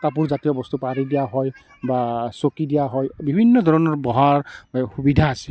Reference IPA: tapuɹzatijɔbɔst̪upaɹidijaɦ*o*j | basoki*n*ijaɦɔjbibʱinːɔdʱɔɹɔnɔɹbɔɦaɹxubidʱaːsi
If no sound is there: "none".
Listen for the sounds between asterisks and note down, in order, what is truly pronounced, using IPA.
ɔ, d

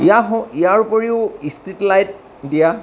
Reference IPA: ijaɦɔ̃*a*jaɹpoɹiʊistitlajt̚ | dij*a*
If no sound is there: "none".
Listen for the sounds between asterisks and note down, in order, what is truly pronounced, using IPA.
i, a

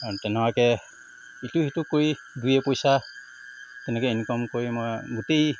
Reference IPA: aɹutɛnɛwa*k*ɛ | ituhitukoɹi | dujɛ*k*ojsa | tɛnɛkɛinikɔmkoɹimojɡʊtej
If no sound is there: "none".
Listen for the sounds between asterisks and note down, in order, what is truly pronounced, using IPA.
k, p

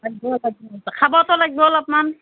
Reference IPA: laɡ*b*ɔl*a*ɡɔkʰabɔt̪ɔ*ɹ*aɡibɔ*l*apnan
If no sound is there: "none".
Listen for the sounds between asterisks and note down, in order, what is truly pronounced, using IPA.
b, a, l, l

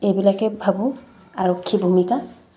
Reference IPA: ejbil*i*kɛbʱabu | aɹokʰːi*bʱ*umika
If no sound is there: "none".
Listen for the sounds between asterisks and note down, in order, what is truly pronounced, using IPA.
a, bʱ

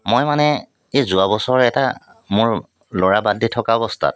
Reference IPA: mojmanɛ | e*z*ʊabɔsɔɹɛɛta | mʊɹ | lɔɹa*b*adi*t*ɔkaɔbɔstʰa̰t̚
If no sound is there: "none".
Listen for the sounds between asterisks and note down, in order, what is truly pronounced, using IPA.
z, b, tʰ

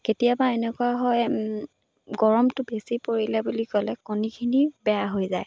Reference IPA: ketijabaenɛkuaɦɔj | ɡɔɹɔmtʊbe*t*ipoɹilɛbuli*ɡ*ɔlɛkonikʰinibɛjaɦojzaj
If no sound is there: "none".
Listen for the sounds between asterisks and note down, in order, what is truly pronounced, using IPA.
s, k

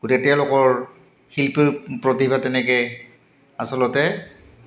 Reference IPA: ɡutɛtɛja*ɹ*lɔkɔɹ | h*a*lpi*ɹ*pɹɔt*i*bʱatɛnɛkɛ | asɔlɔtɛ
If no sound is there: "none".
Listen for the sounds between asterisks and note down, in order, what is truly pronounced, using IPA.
none, i, ɹ, i

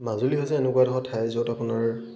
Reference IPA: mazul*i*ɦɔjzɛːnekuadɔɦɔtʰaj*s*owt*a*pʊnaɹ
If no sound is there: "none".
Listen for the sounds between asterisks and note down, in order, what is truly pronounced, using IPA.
i, z, a

